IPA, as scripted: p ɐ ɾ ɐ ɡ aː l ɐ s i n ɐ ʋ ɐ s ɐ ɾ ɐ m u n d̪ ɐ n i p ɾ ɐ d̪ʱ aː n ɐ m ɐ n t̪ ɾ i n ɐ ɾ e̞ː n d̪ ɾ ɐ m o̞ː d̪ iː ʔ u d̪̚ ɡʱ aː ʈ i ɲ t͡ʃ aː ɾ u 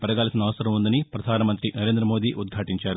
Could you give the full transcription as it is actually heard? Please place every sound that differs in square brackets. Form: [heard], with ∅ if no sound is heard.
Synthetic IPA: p ɐ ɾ ɐ ɡ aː l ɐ s i n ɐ ʋ ɐ s ɐ ɾ ɐ m u n d̪ ɐ n i p ɾ ɐ d̪ʱ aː n ɐ m ɐ n t̪ ɾ i n ɐ ɾ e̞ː n d̪ ɾ ɐ m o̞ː d̪ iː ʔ u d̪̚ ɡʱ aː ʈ i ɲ t͡ʃ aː ɾ u